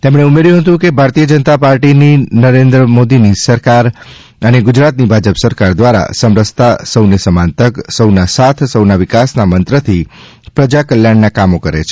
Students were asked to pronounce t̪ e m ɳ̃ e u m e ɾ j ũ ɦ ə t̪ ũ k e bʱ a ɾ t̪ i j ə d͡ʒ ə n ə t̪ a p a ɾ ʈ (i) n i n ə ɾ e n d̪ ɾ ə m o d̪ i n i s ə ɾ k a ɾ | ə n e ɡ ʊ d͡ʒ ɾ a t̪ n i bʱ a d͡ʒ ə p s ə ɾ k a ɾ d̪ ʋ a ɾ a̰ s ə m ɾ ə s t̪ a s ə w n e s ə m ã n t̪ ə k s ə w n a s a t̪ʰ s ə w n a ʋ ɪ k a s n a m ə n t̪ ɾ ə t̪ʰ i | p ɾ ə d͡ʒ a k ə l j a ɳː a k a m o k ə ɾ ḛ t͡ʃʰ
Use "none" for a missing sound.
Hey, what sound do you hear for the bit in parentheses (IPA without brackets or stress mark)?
i